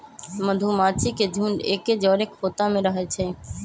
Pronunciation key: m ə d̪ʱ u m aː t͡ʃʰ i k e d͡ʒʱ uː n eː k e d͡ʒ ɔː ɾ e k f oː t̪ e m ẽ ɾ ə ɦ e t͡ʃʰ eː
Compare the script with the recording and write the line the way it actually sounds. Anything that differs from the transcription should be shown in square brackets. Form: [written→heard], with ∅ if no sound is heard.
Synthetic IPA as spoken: m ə d̪ʱ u m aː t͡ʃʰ i k e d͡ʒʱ uː n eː k e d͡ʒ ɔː ɾ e k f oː t̪ [e→a] m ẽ ɾ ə ɦ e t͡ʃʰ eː